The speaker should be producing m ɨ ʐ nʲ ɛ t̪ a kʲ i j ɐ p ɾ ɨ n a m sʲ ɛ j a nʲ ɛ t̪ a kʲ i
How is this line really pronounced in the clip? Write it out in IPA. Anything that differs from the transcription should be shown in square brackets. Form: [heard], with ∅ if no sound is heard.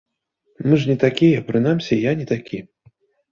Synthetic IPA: m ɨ ʐ nʲ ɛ t̪ a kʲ i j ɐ p ɾ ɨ n a m sʲ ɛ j a nʲ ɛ t̪ a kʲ i

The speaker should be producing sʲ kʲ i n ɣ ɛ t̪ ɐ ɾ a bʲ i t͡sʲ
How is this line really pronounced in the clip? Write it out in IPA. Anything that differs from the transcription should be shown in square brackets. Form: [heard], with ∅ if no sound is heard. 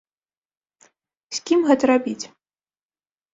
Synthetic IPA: sʲ kʲ i [m] ɣ ɛ t̪ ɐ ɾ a bʲ i t͡sʲ

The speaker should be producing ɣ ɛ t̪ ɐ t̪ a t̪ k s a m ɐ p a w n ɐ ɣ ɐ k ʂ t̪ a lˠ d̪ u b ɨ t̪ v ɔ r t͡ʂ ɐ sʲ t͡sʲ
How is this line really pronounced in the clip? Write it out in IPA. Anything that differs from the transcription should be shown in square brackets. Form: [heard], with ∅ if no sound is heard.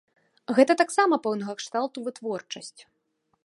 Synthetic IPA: ɣ ɛ t̪ ɐ t̪ a [∅] k s a m ɐ p [ɛ] w n ɐ ɣ ɐ k ʂ t̪ a lˠ [t̪] u [v] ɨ t̪ v ɔ r t͡ʂ ɐ sʲ t͡sʲ

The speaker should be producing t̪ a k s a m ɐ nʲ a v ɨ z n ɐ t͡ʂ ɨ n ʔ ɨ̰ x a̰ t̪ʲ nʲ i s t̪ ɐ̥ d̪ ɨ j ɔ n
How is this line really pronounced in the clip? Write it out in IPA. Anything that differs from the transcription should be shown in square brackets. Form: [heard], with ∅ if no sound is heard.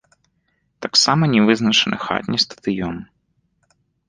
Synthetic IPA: t̪ a k s a m ɐ nʲ [ɛ] v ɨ z n ɐ t͡ʂ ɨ n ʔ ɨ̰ x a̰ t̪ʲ nʲ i s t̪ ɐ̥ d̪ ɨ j ɔ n

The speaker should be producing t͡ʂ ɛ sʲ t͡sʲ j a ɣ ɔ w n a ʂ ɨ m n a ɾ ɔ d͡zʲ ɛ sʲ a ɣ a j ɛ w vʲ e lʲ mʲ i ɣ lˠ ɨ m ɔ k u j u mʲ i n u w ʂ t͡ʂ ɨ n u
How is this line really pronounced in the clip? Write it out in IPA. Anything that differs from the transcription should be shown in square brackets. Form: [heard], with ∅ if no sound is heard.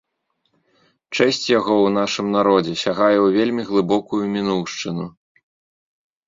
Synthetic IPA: t͡ʂ ɛ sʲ t͡sʲ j a ɣ ɔ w n a ʂ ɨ m n a ɾ ɔ d͡zʲ ɛ sʲ a ɣ a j ɛ w vʲ e lʲ mʲ i ɣ lˠ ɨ [b] ɔ k u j u mʲ i n u w ʂ t͡ʂ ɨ n u

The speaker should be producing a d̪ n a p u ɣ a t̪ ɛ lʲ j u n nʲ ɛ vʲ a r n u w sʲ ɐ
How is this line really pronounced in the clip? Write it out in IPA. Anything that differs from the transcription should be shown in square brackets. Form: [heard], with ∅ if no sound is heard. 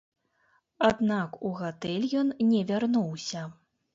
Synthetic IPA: a d̪ n a [k] u ɣ a t̪ ɛ lʲ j [ɔ] n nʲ ɛ vʲ a r n u w sʲ ɐ

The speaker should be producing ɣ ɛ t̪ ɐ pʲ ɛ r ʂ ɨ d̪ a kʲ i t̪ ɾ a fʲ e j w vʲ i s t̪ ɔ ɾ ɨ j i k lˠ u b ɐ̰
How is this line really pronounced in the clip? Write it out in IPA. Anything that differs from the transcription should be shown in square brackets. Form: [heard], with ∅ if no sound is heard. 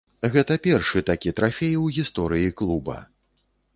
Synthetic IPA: ɣ ɛ t̪ ɐ pʲ ɛ r ʂ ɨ [t̪] a kʲ i t̪ ɾ a fʲ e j w [ɣʲ] i s t̪ ɔ ɾ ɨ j i k lˠ u b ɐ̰

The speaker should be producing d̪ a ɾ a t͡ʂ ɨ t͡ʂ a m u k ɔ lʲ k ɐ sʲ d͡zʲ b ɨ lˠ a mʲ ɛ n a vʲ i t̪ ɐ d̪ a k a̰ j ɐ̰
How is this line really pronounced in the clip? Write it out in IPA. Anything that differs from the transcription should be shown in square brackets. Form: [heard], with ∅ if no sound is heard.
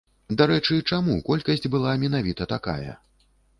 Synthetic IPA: d̪ a ɾ [ɛ] t͡ʂ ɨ t͡ʂ a m u k ɔ lʲ k ɐ sʲ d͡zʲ b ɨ lˠ a mʲ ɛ n a vʲ i t̪ ɐ [t̪] a k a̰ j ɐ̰

